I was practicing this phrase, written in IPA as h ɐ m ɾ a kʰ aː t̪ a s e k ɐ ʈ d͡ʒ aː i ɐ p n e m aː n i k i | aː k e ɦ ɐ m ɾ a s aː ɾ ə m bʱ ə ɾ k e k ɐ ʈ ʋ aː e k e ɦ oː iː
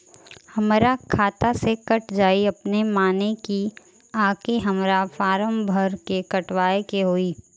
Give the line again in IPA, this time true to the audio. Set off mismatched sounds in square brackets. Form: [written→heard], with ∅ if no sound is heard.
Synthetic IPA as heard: h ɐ m ɾ a kʰ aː t̪ a s e k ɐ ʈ d͡ʒ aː i ɐ p n e m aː n [i→e] k i | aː k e ɦ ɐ m ɾ a [s→f] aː ɾ ə m bʱ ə ɾ k e k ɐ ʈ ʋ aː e k e ɦ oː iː